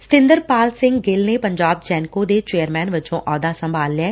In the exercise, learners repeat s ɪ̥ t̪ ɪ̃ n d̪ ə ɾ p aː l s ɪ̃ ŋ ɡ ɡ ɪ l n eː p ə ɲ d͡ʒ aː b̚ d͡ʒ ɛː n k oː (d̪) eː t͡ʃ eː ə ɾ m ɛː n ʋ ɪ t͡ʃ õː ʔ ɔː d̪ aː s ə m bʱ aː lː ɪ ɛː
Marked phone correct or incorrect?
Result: correct